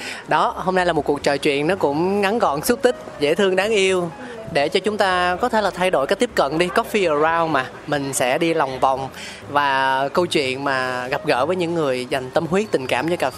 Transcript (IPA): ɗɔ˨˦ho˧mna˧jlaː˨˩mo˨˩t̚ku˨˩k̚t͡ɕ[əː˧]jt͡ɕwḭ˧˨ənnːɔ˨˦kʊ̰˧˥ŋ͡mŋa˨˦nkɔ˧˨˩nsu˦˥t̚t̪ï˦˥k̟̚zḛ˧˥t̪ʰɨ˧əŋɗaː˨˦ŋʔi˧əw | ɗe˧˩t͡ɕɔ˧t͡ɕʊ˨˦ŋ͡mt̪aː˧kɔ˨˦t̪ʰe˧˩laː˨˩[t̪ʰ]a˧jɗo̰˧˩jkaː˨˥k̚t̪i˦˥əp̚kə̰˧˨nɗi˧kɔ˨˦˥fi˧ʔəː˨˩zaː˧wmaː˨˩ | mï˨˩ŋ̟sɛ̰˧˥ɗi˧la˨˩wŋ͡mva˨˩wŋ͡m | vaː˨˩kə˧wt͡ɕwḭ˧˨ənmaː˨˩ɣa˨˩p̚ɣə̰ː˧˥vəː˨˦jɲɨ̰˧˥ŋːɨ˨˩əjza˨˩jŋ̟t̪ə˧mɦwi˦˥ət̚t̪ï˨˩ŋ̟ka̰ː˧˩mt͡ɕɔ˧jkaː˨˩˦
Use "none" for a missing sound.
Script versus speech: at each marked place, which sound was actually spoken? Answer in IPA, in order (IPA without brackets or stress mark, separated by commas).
əː˨˩, t̪ʰ